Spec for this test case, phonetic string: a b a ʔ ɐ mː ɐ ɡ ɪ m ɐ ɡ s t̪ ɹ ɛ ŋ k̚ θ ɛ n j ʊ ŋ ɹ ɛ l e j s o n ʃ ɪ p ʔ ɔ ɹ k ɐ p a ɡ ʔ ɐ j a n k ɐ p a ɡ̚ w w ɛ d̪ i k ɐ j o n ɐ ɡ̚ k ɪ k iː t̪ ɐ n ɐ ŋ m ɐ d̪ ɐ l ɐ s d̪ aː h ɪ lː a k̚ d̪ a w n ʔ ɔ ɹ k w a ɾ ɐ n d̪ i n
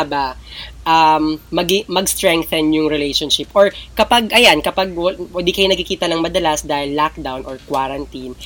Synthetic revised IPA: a b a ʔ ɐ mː ɐ ɡ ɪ m ɐ ɡ s t̪ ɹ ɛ ŋ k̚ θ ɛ n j ʊ ŋ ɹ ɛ l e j ʃ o n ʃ ɪ p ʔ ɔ ɹ k ɐ p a ɡ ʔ ɐ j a n k ɐ p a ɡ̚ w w ɛ d̪ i k ɐ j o n ɐ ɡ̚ k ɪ k iː t̪ ɐ n ɐ ŋ m ɐ d̪ ɐ l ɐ s d̪ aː h ɪ lː a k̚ d̪ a w n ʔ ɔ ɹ k w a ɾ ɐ n t̪ i n